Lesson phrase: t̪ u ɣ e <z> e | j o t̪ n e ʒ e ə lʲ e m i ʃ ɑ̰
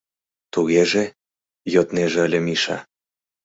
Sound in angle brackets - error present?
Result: yes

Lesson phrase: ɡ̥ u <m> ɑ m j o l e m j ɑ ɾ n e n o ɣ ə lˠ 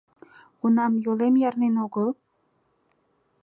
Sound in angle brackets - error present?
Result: yes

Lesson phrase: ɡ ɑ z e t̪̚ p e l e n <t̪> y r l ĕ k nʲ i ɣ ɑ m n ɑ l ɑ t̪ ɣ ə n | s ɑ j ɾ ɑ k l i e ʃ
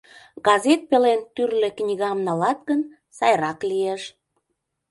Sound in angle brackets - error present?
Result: no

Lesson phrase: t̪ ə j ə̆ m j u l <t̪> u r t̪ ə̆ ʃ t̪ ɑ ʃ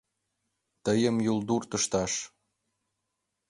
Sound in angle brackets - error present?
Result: yes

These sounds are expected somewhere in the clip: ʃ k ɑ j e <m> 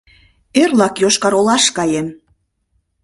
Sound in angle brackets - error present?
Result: no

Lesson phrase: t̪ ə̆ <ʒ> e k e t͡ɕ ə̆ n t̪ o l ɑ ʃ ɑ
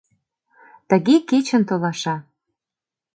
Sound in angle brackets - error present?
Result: yes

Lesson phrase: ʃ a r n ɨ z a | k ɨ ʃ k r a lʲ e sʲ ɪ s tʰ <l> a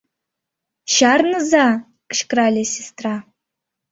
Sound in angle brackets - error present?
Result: yes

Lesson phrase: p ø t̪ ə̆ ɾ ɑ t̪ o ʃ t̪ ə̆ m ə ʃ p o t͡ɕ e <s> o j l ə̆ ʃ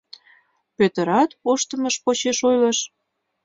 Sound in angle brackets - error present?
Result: yes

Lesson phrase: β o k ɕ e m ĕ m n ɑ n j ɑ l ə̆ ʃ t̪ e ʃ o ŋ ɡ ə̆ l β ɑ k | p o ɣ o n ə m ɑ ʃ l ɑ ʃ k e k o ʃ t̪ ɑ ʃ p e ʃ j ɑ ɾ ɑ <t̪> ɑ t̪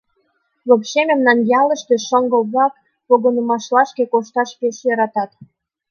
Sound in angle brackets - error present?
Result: no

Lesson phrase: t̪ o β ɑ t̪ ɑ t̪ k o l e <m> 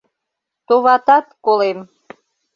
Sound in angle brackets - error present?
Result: no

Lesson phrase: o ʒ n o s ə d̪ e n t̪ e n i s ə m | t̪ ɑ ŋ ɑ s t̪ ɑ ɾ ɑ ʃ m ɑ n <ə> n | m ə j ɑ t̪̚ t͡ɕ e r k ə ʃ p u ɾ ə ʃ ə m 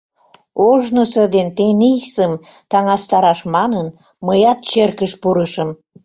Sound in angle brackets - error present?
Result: no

